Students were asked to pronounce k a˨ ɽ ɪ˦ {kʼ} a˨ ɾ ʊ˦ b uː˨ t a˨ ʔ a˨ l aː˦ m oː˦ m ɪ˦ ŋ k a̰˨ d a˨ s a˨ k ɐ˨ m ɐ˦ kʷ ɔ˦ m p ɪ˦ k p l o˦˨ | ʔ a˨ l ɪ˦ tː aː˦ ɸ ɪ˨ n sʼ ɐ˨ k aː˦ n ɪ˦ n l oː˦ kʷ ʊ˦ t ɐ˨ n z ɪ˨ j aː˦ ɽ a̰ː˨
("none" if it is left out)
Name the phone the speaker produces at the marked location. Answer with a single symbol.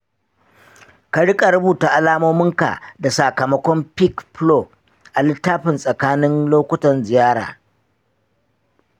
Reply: kʼ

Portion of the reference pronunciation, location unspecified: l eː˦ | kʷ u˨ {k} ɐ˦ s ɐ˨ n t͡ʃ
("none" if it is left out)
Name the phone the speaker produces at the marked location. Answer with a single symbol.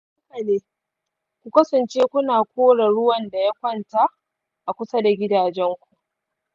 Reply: k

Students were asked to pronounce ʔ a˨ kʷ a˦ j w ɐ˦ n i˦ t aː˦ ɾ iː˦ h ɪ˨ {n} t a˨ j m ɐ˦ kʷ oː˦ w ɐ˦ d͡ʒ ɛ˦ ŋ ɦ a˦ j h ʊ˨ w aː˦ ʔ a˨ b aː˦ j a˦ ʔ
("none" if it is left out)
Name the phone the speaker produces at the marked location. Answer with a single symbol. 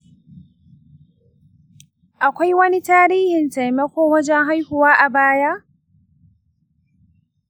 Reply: n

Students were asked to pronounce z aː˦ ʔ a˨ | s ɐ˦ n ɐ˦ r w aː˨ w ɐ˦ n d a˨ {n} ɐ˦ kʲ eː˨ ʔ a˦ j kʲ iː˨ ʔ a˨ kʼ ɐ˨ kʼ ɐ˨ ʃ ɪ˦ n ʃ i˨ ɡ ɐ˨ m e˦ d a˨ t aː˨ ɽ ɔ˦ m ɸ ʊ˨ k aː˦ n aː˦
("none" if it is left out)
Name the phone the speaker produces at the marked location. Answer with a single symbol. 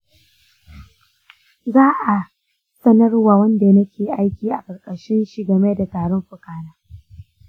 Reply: n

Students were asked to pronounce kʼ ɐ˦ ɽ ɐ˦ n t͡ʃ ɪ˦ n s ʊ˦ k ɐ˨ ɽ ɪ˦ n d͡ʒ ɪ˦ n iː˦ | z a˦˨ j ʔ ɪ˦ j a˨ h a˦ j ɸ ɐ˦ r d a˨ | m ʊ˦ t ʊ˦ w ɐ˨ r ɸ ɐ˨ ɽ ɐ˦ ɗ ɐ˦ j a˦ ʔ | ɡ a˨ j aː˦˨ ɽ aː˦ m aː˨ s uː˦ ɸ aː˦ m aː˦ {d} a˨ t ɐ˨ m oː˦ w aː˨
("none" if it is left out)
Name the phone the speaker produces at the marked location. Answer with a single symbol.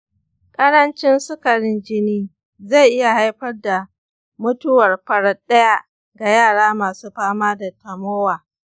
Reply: d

